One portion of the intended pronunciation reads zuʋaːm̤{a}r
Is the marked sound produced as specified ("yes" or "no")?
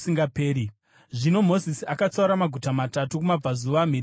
no